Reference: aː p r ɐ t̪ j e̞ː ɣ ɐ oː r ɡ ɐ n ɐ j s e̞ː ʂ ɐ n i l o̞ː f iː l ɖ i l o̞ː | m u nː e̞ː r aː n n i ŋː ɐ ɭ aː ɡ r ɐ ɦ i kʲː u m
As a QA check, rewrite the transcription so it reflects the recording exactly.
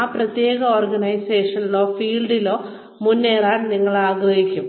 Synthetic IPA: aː p r ɐ t̪ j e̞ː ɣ ɐ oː r ɡ ɐ n ɐ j s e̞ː ʂ ɐ n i l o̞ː f iː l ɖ i l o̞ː | m u nː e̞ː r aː n n i ŋː ɐ ɭ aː ɡ r ɐ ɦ i kʲː u m